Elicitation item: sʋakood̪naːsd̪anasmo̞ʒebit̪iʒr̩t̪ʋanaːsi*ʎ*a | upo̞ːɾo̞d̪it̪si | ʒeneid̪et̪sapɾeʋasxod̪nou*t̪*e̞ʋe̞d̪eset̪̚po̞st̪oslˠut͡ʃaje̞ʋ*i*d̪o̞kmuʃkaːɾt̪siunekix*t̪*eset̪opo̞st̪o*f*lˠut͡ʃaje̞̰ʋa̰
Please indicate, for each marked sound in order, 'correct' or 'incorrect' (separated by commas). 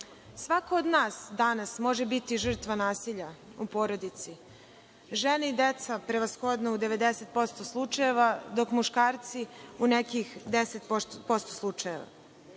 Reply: correct, incorrect, incorrect, incorrect, incorrect